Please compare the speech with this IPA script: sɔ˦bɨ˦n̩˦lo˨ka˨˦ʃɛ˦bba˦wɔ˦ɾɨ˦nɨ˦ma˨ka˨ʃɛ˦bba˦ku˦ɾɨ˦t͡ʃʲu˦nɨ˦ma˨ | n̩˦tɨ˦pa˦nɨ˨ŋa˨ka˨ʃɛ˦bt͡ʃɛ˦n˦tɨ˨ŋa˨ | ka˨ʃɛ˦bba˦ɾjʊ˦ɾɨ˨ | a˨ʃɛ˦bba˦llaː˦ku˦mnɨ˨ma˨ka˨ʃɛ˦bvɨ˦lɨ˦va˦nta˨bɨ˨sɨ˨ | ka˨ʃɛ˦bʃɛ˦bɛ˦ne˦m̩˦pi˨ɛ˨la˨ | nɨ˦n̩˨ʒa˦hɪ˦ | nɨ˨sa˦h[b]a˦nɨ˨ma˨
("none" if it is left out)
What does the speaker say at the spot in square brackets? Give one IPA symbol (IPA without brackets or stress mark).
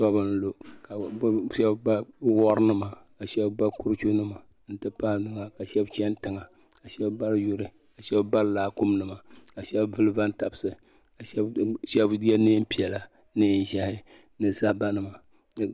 b